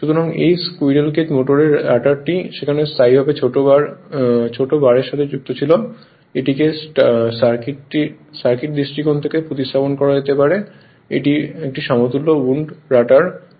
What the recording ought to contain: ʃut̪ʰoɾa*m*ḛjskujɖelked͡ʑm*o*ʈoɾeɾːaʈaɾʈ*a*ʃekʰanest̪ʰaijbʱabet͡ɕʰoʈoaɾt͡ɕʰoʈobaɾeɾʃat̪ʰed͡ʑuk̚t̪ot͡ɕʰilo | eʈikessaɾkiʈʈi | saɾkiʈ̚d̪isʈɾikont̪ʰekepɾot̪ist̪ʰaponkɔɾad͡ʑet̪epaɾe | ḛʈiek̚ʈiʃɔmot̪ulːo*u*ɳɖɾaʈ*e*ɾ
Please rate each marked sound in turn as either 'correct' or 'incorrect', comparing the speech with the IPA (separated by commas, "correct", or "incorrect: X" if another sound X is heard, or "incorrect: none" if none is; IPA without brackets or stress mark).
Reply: incorrect: ŋ, correct, incorrect: i, correct, incorrect: a